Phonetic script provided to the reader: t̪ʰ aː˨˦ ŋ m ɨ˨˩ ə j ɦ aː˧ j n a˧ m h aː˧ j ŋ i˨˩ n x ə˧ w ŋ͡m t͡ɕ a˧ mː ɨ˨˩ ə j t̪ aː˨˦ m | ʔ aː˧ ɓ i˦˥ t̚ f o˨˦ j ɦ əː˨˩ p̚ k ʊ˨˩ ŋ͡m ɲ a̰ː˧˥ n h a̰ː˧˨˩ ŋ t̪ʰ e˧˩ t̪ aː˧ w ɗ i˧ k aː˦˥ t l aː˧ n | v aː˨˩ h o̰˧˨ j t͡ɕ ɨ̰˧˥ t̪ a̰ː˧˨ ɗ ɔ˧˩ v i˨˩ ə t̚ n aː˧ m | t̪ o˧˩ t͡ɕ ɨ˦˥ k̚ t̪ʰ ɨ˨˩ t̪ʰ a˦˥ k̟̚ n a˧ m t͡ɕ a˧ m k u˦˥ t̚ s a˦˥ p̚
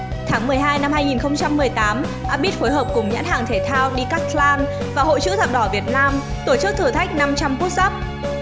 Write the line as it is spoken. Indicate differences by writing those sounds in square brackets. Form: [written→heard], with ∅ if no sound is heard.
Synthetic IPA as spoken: t̪ʰ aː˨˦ ŋ m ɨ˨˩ ə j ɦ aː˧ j n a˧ m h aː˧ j ŋ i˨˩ n x ə˧ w ŋ͡m t͡ɕ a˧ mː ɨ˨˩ ə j t̪ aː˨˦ m | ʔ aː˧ ɓ i˦˥ t̚ f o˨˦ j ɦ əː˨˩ p̚ k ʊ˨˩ ŋ͡m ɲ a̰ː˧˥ n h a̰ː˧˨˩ ŋ t̪ʰ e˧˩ [t̪→t̪ʰ] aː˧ w ɗ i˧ k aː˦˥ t l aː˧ n | v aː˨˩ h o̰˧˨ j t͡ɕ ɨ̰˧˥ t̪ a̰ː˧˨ ɗ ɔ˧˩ v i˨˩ ə t̚ n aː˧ m | t̪ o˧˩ t͡ɕ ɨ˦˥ k̚ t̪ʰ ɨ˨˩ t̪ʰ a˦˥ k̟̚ n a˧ m t͡ɕ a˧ m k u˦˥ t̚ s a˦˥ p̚